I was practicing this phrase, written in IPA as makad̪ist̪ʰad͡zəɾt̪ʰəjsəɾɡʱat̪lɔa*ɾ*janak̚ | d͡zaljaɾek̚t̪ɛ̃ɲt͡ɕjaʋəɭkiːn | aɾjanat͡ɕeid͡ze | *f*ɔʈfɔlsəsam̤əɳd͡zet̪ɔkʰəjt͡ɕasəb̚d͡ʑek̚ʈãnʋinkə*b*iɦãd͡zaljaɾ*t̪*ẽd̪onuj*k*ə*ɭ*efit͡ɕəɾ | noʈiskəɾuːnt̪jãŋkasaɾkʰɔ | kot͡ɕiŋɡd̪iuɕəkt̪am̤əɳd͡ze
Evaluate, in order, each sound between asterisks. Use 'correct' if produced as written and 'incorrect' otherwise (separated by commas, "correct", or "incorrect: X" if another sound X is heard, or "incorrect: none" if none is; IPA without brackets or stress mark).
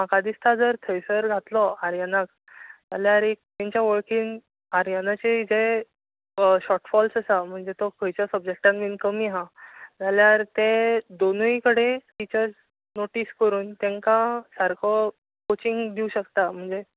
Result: correct, incorrect: ɕ, incorrect: m, correct, correct, incorrect: ɽ